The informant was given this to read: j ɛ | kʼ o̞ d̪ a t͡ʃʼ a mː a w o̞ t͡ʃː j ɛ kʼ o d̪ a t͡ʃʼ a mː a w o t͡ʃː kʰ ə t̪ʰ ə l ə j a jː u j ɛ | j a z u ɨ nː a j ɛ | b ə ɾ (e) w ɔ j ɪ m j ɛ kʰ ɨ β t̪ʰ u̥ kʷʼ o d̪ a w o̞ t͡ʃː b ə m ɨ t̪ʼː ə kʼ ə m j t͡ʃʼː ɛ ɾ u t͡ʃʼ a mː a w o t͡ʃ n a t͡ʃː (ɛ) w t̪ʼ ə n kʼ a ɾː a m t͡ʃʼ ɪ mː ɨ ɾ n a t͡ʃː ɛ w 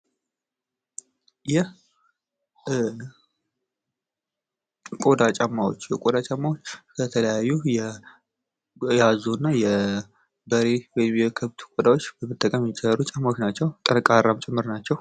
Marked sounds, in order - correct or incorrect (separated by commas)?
correct, correct